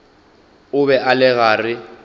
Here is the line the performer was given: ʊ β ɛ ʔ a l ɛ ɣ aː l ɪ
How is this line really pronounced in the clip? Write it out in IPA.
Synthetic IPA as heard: ʊ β ɛ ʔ a l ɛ ɣ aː r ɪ